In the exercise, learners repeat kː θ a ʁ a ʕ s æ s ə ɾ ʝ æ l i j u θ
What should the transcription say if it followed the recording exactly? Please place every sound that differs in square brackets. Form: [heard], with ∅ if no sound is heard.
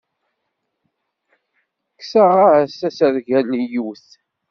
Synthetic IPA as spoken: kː [s] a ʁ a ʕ s æ s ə ɾ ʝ æ l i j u θ